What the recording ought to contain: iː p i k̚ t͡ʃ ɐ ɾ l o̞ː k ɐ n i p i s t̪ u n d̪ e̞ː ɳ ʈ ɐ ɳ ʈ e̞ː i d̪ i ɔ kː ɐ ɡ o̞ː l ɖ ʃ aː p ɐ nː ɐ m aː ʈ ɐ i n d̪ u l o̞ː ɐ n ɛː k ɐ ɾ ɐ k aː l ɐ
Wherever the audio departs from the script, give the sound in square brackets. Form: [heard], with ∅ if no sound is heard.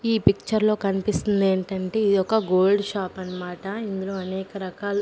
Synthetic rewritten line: iː p i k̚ t͡ʃ ɐ ɾ l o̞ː k ɐ n i p i s t̪ u n d̪ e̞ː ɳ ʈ ɐ ɳ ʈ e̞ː i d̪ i ɔ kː ɐ ɡ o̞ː l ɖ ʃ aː p ɐ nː ɐ m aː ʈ ɐ i n d̪ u l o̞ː ɐ n ɛː k ɐ ɾ ɐ k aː l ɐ

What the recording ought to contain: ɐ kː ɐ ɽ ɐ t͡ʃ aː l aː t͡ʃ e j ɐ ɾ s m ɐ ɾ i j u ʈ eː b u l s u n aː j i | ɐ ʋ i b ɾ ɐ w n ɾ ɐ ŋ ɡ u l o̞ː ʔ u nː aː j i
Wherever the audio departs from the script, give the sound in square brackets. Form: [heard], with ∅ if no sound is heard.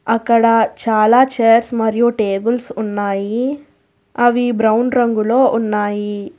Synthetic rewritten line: ɐ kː ɐ ɽ ɐ t͡ʃ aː l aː t͡ʃ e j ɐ ɾ s m ɐ ɾ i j u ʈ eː b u l s u [nː] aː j i | ɐ ʋ i b ɾ ɐ w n ɾ ɐ ŋ ɡ u l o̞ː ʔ u nː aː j i

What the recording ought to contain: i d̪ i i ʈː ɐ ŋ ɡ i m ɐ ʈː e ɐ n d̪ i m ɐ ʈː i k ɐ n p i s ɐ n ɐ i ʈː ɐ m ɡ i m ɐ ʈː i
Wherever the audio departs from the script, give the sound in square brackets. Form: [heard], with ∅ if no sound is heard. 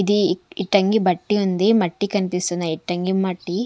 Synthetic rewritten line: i d̪ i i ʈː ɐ ŋ ɡ i [b] ɐ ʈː [i] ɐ n d̪ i m ɐ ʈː i k ɐ n p i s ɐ n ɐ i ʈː ɐ [ŋ] ɡ i m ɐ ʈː i

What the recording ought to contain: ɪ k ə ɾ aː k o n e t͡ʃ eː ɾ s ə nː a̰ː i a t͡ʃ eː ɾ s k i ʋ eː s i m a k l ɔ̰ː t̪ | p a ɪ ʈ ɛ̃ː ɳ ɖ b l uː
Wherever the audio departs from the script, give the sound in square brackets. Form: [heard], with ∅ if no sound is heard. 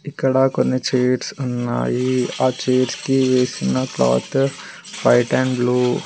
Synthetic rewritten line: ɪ k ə [ɽ] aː k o n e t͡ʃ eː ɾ s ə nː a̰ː i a t͡ʃ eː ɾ s k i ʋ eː s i [n] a k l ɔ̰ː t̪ | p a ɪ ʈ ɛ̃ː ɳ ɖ b l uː

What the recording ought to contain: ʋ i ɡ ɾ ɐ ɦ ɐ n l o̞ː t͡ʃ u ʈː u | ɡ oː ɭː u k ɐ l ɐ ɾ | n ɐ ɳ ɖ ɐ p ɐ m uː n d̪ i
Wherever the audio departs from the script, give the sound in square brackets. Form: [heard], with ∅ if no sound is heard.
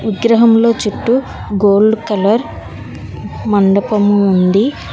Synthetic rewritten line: ʋ i ɡ ɾ ɐ ɦ ɐ [m] l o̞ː t͡ʃ u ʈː u | ɡ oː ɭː u k ɐ l ɐ ɾ | [m] ɐ ɳ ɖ ɐ p ɐ m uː n d̪ i

